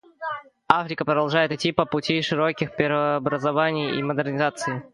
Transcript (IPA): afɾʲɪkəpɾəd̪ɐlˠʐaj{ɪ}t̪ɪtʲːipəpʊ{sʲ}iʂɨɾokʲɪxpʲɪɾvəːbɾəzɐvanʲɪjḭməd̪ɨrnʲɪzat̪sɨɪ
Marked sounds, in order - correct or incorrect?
correct, incorrect: tʲ

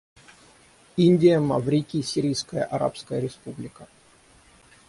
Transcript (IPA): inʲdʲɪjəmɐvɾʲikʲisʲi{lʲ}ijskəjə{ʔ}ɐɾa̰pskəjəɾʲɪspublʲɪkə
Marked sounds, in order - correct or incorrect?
incorrect: ɾʲ, correct

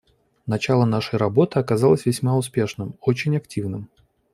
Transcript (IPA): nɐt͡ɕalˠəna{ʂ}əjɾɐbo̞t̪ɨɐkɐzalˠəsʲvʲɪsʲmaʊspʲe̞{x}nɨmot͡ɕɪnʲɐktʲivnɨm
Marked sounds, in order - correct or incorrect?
correct, incorrect: ʂ

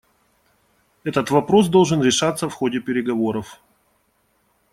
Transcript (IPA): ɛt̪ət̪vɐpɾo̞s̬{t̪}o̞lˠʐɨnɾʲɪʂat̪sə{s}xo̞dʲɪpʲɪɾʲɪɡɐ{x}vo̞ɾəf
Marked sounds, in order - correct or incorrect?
incorrect: d̪, incorrect: f, incorrect: none

